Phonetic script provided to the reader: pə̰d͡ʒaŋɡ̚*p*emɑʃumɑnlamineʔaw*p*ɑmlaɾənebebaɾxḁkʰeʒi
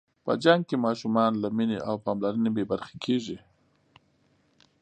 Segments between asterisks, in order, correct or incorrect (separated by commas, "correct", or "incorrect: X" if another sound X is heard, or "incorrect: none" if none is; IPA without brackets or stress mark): incorrect: k, correct